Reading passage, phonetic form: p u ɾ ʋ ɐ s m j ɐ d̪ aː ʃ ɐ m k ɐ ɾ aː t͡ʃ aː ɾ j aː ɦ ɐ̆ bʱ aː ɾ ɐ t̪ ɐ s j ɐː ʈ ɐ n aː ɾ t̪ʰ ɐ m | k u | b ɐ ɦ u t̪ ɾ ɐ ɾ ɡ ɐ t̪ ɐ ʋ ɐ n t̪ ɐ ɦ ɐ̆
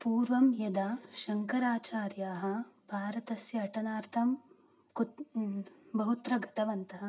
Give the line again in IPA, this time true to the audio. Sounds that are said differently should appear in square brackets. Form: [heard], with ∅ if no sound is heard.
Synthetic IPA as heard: p [uː] ɾ ʋ ɐ [∅] m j ɐ d̪ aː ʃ ɐ [ŋ] k ɐ ɾ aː t͡ʃ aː ɾ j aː ɦ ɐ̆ bʱ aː ɾ ɐ t̪ ɐ s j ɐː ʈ ɐ n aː ɾ t̪ʰ ɐ m | k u | b ɐ ɦ u t̪ ɾ ɐ [∅] ɡ ɐ t̪ ɐ ʋ ɐ n t̪ ɐ ɦ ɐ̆